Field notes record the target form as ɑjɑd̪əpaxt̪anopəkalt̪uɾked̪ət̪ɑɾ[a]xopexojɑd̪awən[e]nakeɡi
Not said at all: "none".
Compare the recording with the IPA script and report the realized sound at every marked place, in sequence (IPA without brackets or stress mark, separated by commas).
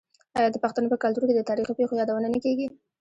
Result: i, a